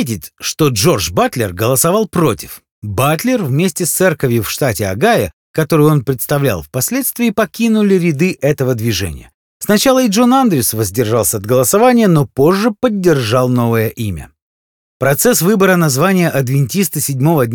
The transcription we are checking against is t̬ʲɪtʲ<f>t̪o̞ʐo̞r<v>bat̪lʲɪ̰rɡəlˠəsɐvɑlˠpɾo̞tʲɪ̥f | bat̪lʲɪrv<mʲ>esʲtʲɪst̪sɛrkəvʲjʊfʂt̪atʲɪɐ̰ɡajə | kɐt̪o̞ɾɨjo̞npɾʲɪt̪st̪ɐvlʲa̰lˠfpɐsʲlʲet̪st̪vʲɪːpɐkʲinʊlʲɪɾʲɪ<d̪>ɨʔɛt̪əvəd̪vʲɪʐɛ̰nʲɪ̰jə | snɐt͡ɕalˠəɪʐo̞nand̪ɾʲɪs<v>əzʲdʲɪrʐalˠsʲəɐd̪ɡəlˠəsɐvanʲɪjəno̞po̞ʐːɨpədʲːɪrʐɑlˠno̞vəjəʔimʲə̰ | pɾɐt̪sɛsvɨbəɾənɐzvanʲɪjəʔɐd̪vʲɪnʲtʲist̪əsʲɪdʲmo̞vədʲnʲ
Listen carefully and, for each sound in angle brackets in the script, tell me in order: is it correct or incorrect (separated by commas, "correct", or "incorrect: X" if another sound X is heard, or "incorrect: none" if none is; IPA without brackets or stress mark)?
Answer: incorrect: ʂ, incorrect: ʐ, correct, correct, correct